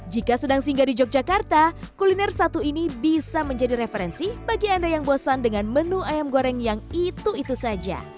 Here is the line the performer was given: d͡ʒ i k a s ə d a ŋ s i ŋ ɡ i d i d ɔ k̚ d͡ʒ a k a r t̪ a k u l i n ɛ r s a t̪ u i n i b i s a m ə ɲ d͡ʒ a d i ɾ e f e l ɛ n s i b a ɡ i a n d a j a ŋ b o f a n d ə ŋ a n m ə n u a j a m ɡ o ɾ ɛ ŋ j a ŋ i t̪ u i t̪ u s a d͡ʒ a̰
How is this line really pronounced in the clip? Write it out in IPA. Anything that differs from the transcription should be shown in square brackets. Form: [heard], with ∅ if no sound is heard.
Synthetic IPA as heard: d͡ʒ i k a s ə d a ŋ s i ŋ ɡ [a] d i [d͡ʒ] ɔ k̚ d͡ʒ a k a r t̪ a k u l i n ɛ r s a t̪ u i n i b i s a m ə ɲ d͡ʒ a d i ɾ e f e [ɾ] ɛ n s i b a ɡ i a n d a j a ŋ b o [s] a n d ə ŋ a n m ə n u a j a m ɡ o ɾ ɛ ŋ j a ŋ i t̪ u i t̪ u s a d͡ʒ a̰